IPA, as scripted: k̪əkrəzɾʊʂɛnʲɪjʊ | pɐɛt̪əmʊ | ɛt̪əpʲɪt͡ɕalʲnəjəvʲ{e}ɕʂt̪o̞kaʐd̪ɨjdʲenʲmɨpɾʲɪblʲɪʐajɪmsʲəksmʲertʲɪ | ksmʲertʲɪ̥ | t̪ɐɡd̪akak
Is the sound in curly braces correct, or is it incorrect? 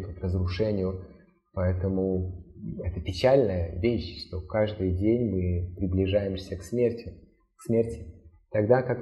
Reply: correct